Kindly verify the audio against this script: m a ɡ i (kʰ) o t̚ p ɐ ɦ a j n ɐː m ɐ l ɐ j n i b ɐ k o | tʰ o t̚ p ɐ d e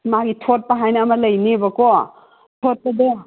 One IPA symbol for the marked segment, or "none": tʰ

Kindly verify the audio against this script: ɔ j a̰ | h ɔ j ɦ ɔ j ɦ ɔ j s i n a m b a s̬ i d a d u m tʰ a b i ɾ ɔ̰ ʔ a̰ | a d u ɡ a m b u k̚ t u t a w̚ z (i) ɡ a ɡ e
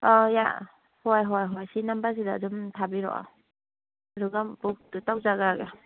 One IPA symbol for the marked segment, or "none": a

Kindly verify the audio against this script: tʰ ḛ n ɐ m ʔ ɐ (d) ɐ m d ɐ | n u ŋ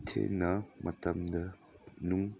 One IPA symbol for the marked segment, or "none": t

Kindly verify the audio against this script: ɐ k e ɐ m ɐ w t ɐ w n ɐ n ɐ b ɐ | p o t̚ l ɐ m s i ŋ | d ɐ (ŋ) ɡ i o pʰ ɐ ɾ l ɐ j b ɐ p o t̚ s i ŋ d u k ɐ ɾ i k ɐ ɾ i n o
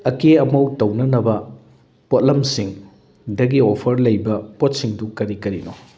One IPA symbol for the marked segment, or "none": none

